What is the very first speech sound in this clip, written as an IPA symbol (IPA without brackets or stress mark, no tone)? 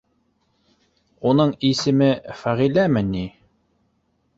u